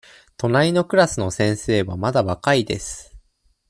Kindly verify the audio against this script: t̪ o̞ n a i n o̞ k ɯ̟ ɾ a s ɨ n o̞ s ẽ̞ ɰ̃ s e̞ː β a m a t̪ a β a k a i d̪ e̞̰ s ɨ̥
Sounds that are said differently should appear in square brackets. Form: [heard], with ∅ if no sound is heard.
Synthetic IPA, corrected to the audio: t̪ o̞ n a i n o̞ k ɯ̟ ɾ a s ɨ n o̞ s ẽ̞ ɰ̃ s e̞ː β a m a [d̪] a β a k a i d̪ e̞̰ s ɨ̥